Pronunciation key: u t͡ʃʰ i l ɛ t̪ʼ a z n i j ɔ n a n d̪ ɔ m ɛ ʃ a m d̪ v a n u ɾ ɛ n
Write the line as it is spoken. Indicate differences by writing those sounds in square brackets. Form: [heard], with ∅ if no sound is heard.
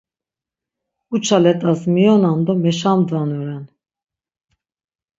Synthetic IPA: u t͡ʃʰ [a] l ɛ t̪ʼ a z [m] i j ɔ n a n d̪ ɔ m ɛ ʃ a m d̪ v a n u ɾ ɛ n